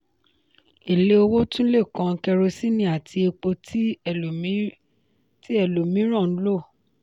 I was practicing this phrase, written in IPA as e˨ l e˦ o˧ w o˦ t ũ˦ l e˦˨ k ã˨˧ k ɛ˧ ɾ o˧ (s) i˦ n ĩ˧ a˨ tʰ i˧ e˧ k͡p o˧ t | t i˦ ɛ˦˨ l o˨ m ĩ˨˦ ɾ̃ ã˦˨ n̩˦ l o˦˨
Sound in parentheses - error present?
no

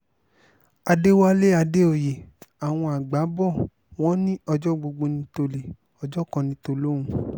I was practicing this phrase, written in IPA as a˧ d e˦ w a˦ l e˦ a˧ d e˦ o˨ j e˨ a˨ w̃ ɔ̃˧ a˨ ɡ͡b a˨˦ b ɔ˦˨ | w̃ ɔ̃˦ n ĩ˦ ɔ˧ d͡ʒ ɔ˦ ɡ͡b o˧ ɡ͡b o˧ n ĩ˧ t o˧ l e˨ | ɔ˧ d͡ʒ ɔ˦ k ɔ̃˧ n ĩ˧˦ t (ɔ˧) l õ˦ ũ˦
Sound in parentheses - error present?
yes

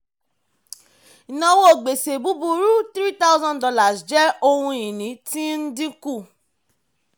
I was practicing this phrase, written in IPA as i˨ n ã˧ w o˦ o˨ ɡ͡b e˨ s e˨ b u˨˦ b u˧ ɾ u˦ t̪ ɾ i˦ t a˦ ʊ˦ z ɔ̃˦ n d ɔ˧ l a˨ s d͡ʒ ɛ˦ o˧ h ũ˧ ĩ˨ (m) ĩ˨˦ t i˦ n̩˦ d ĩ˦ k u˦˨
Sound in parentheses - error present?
yes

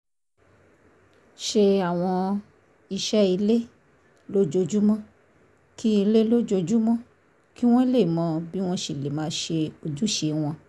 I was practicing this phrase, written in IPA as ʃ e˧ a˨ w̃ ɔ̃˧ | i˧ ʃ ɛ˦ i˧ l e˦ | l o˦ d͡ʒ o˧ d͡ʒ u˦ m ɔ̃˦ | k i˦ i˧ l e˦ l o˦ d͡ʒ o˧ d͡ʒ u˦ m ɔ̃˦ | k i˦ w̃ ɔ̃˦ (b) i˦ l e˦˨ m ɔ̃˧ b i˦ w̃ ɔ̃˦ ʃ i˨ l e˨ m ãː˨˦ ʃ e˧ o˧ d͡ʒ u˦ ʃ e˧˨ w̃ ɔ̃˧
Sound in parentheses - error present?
yes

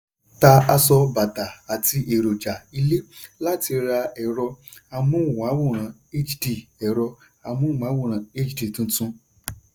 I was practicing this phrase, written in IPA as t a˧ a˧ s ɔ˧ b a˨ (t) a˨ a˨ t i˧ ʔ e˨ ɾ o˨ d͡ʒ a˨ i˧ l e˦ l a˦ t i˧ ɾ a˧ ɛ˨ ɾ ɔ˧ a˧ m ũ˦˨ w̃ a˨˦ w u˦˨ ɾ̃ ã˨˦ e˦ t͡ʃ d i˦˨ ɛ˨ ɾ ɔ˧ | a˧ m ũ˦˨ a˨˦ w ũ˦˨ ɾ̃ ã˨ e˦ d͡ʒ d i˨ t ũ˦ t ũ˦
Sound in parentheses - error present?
no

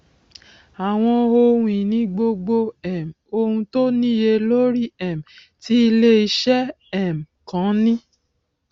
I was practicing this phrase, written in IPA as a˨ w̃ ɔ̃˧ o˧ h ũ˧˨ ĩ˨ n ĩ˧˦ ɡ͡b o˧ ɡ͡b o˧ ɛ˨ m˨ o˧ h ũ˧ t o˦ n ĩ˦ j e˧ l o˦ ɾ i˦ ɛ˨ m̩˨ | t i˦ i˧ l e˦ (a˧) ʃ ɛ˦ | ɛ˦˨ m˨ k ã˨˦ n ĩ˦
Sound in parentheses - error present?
yes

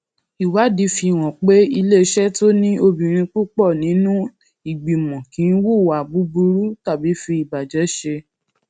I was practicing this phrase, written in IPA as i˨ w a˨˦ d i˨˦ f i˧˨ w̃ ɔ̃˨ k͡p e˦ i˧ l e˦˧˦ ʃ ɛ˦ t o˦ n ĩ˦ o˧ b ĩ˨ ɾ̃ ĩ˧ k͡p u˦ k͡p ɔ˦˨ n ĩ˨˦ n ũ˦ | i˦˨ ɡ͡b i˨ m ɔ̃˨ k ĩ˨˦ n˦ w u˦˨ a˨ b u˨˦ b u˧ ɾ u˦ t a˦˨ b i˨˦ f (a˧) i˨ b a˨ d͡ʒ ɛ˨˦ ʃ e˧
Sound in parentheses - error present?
yes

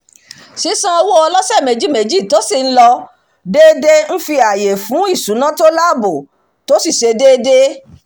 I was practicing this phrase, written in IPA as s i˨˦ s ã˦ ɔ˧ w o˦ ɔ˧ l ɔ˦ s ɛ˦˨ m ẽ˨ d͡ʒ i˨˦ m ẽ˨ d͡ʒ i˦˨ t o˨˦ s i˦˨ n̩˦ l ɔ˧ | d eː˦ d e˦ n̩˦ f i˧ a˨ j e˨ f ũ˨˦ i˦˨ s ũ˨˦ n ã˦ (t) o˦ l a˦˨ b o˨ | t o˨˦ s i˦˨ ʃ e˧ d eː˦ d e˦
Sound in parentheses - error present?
no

